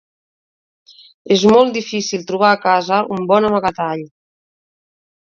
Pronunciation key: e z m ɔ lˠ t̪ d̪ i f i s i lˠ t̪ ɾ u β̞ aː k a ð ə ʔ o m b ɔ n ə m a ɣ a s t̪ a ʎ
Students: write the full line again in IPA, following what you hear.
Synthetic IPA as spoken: e z m ɔ lˠ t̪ d̪ i f i s i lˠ t̪ ɾ u β̞ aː k a z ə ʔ u m b ɔ n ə m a ɣ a t̪ a ʎ